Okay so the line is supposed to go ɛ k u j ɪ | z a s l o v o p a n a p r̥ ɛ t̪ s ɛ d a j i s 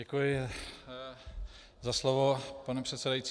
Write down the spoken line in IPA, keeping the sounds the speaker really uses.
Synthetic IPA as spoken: ɛ k u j ɪ | z a s l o v o p a n ɛ p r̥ ɛ t̪ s ɛ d a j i t͡s